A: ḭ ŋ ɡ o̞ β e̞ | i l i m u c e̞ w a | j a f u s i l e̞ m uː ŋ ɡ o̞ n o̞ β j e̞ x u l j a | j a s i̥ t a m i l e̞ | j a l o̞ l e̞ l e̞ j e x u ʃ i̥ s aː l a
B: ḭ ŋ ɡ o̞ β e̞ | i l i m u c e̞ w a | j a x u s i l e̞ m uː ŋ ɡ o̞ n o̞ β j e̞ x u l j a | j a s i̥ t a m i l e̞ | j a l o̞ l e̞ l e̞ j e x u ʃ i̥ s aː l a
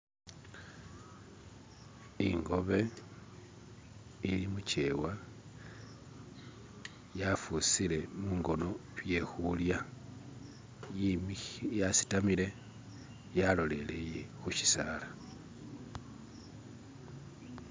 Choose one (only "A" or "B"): A